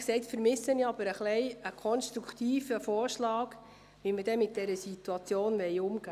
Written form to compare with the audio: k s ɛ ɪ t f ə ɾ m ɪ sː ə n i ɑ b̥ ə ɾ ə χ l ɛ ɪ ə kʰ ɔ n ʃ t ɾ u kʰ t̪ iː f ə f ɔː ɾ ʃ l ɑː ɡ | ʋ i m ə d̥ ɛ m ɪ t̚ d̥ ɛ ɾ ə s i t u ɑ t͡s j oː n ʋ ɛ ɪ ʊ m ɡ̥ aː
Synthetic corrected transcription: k s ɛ ɪ t f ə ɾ m ɪ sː ə n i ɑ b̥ ə ɾ ə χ l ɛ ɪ ə kʰ ɔ n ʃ t ɾ u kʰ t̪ iː f ə f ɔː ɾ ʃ l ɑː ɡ | ʋ i m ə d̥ ɛ m ɪ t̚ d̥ ɛ ɾ ə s i t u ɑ t͡s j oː n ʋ ɛ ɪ ʊ m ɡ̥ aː